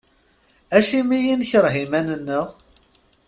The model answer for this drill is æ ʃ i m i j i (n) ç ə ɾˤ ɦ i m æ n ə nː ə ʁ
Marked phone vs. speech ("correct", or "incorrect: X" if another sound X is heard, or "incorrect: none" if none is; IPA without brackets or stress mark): correct